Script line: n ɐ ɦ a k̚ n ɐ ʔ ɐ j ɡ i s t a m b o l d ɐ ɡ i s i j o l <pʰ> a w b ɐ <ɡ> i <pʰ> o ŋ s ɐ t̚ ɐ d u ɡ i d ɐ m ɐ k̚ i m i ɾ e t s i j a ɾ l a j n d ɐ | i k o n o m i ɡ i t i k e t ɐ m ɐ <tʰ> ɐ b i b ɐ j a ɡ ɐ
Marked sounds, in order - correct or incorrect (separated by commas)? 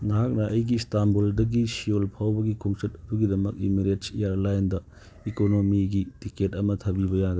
correct, correct, incorrect, correct